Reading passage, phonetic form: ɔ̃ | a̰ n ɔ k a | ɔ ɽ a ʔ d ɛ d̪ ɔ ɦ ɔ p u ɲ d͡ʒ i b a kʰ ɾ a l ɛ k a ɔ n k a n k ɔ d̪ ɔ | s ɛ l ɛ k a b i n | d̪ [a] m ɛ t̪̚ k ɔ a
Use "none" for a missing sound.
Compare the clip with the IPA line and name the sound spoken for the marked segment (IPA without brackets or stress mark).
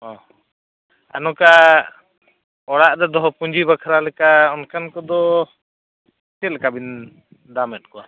a